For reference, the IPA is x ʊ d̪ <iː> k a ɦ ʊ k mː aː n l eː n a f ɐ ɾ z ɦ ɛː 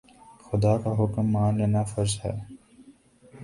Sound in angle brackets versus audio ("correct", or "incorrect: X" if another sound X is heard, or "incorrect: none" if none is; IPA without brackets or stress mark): incorrect: aː